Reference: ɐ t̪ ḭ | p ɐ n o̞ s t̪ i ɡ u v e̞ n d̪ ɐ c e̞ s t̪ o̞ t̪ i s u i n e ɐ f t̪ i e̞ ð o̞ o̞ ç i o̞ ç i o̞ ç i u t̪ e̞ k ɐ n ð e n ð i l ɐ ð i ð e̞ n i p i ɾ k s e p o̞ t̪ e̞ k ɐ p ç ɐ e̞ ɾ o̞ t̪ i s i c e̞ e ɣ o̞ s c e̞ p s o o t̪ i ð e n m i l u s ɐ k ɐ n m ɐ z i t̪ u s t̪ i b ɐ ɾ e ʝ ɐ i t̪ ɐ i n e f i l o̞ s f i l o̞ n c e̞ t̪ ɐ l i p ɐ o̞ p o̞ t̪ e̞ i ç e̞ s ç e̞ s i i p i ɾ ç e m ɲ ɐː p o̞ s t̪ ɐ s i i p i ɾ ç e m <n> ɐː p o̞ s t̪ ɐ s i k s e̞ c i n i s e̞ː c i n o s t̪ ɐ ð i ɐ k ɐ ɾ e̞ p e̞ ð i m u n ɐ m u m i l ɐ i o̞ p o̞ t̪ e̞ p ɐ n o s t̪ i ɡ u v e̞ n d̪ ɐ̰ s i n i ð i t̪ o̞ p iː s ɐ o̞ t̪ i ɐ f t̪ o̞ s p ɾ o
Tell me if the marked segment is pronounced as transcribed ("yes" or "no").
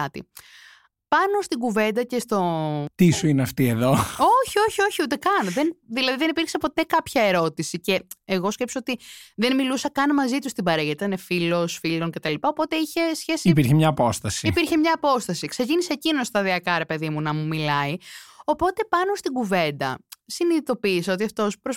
no